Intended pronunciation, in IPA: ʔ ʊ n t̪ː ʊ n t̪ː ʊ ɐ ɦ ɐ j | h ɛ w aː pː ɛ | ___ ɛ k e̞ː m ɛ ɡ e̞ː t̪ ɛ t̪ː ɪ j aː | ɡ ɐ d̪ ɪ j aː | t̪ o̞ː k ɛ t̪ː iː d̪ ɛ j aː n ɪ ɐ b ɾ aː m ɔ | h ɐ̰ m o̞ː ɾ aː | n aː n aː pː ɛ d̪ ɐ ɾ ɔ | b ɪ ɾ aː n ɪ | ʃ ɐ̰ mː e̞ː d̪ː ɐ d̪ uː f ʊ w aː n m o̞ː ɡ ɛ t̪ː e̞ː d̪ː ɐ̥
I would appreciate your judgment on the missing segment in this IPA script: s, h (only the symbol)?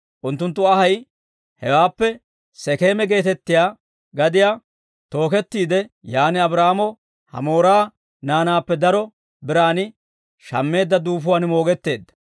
s